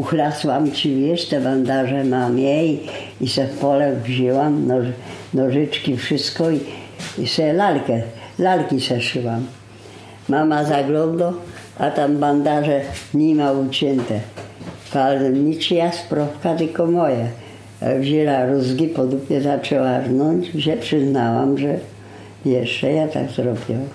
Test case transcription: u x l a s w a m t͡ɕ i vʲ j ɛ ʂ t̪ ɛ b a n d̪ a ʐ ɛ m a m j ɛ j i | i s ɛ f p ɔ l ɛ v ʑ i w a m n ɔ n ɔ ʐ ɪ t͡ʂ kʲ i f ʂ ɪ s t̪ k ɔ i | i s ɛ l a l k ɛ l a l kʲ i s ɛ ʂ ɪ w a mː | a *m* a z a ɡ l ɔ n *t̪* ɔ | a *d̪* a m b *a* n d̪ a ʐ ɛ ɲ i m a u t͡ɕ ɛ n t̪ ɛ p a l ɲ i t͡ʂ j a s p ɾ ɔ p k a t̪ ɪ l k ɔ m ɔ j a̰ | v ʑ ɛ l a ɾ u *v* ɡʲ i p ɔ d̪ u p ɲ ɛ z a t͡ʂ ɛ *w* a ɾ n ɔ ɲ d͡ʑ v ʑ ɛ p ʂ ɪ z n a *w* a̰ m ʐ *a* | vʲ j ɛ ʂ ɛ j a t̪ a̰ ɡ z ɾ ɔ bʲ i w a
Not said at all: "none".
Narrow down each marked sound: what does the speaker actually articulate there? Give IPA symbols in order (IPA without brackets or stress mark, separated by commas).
m, d̪, t̪, a, z, w, w, ɛ